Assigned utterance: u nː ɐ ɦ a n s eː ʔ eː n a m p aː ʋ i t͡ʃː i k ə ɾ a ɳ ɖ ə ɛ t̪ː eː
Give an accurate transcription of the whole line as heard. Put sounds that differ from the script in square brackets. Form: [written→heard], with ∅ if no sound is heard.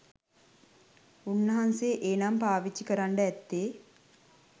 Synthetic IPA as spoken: u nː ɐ ɦ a n s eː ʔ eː n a m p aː ʋ i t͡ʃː i k ə ɾ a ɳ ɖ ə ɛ t̪ː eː